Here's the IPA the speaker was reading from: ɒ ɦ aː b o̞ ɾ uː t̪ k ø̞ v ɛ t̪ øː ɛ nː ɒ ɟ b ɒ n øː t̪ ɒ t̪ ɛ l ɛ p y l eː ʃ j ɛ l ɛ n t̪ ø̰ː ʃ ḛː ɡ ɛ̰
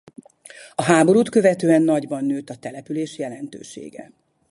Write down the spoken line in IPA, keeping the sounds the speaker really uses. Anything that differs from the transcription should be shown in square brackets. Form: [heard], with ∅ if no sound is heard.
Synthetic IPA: ɒ ɦ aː b o̞ ɾ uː t̪ k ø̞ v ɛ t̪ øː ɛ nː ɒ ɟ b ɒ [nː] øː t̪ ɒ t̪ ɛ l ɛ p y l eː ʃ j ɛ l ɛ n t̪ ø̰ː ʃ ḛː ɡ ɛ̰